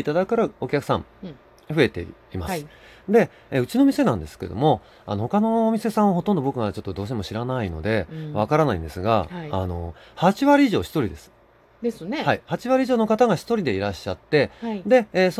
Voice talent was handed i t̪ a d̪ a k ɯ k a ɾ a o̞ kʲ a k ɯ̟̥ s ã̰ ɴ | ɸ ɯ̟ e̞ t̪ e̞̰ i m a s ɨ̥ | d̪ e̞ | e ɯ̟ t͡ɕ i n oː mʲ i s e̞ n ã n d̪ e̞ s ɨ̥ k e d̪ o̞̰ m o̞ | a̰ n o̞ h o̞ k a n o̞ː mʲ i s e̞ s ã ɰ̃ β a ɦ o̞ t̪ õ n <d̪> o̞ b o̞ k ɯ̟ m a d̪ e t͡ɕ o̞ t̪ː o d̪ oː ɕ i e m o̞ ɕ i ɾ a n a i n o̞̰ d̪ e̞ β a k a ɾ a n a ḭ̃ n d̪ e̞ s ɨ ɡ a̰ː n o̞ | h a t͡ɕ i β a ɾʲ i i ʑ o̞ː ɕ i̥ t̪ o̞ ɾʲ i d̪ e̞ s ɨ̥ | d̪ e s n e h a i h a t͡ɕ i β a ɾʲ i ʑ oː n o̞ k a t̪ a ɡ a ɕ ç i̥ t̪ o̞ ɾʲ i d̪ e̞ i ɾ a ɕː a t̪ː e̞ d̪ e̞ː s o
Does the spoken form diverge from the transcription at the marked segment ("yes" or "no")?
no